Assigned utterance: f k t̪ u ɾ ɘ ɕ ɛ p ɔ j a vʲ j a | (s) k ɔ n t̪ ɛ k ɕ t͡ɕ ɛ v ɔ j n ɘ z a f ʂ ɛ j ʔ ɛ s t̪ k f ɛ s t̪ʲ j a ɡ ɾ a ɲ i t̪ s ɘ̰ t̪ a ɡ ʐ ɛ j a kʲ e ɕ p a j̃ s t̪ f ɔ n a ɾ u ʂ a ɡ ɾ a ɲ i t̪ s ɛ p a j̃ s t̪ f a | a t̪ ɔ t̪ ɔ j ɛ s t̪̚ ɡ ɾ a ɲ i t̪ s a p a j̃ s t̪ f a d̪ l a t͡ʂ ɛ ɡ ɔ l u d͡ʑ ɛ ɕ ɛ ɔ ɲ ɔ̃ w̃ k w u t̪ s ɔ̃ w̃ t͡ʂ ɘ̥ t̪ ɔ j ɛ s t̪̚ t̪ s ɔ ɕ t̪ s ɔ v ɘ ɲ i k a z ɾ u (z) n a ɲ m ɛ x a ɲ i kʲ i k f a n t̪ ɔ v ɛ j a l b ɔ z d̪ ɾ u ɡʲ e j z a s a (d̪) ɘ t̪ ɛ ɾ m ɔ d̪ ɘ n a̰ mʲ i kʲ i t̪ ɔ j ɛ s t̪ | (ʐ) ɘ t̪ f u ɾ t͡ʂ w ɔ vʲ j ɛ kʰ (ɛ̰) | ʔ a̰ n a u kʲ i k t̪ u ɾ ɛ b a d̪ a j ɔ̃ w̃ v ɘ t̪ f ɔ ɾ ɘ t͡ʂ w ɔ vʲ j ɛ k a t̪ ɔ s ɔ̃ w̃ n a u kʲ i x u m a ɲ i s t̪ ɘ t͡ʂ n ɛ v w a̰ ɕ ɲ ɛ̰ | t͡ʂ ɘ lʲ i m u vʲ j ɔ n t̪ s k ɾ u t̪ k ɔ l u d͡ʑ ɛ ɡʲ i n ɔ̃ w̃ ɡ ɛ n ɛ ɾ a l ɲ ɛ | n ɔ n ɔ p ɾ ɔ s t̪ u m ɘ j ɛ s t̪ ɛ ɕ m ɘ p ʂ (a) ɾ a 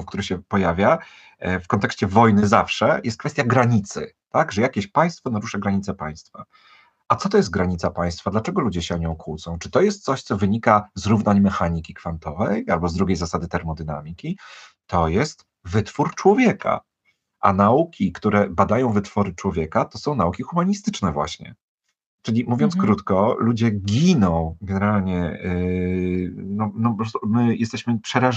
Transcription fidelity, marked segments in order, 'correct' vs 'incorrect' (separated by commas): incorrect, incorrect, correct, incorrect, incorrect, incorrect